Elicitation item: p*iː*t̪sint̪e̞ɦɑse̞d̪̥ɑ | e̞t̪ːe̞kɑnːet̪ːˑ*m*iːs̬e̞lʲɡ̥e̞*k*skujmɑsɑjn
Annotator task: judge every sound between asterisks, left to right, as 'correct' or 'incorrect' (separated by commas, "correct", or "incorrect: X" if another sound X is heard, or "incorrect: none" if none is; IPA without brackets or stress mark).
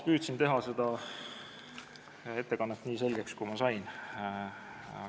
incorrect: yː, incorrect: n, correct